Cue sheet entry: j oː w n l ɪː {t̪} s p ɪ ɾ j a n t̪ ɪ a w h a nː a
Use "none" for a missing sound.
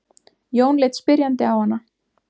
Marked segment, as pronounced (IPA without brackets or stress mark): t̪